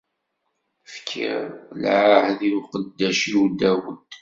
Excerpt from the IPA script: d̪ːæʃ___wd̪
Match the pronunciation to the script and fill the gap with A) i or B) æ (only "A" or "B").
A